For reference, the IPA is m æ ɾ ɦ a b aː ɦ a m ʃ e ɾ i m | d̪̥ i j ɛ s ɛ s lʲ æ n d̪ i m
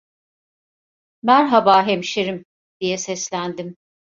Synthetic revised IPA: m æ ɾ ɦ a b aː ɦ e m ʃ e ɾ i m | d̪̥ i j ɛ s ɛ s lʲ æ n d̪ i m